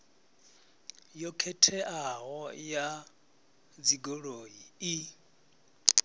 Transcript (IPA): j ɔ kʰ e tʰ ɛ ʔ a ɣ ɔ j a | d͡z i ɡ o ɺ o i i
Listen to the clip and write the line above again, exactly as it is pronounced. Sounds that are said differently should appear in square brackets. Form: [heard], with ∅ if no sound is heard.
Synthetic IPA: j ɔ kʰ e tʰ ɛ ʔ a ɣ ɔ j a | d͡z i ɡ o ɺ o i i